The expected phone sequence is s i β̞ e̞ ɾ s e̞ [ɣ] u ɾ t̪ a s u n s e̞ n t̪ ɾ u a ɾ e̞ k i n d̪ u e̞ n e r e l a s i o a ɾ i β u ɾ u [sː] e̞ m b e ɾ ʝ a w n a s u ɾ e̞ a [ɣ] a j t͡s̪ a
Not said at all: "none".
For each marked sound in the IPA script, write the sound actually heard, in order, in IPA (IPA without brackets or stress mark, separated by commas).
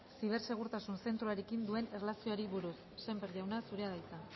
ɣ, sː, ð